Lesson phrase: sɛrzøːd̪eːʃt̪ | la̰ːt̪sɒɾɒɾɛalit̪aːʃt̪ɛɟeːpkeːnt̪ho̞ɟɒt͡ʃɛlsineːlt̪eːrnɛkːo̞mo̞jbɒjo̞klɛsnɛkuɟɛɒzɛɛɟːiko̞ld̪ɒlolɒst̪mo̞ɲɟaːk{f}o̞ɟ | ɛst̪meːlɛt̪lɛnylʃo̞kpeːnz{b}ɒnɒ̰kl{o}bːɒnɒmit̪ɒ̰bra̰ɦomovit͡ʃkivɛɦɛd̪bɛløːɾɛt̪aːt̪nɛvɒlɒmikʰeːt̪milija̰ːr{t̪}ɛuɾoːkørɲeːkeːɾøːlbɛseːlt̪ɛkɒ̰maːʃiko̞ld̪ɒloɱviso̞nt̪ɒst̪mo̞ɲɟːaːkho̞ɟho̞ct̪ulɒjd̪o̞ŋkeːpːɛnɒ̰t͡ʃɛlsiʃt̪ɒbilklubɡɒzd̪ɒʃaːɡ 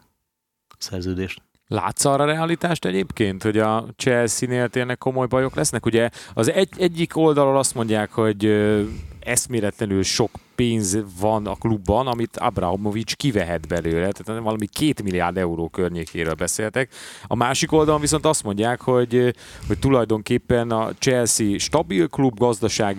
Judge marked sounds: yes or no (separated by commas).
no, no, no, no